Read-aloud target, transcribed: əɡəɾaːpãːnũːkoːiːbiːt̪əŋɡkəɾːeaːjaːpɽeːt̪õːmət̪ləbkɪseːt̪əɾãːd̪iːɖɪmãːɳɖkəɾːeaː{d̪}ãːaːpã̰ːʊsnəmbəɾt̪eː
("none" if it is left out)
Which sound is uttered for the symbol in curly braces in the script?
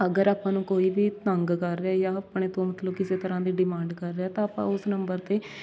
t̪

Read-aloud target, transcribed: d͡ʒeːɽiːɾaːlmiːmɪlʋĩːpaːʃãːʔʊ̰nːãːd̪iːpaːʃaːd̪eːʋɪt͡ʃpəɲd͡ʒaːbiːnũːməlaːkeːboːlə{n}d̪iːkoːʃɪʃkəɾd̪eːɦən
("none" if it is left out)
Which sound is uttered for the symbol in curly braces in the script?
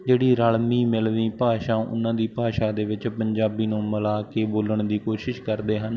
ɳ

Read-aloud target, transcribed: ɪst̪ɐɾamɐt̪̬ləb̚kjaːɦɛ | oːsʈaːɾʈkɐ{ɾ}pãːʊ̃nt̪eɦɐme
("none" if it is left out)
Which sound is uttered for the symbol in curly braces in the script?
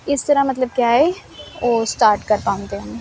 ɾ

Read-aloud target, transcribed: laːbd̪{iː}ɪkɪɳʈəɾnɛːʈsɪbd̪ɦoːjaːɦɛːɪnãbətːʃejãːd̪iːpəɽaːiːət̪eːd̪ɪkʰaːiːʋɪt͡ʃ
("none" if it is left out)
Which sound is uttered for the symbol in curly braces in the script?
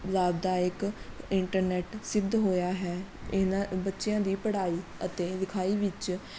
aː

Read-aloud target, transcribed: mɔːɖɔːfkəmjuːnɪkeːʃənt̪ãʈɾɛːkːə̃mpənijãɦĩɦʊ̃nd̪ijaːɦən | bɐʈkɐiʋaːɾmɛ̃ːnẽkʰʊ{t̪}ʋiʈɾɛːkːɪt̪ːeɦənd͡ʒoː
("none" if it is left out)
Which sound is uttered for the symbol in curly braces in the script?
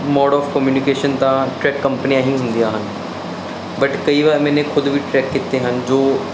d̪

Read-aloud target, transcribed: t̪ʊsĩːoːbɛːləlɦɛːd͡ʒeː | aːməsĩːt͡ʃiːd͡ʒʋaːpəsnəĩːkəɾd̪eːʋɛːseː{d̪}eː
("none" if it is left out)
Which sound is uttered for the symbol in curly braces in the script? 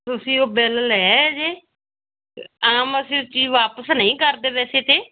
t̪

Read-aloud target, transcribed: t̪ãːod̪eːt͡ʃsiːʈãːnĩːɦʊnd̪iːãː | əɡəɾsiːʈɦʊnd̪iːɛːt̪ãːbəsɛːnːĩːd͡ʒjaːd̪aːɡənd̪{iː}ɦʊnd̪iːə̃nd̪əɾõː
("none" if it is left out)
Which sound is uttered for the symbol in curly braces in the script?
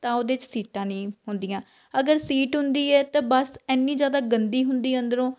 iː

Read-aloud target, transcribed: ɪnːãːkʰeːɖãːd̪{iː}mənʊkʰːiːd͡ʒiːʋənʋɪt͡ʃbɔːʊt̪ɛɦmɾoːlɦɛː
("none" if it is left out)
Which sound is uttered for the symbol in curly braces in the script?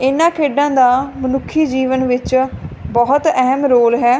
aː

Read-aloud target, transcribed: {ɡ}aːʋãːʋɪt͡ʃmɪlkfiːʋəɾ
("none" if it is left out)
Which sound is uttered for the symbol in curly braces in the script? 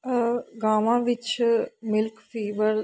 ɡ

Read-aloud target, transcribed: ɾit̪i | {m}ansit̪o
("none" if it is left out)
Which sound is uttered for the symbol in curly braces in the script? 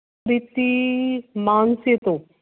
m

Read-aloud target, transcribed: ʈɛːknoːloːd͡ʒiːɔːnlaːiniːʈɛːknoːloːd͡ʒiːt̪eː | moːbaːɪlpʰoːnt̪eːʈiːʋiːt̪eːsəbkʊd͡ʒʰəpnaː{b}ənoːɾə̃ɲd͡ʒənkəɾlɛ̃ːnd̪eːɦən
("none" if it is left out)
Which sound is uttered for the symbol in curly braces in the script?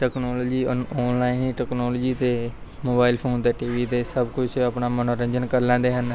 m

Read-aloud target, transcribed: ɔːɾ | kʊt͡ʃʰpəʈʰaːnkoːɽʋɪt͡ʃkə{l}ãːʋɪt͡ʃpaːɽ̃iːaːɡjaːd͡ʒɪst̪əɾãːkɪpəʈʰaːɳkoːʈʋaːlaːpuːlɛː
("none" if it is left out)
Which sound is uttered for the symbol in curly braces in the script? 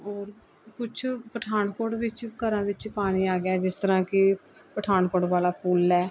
ɾ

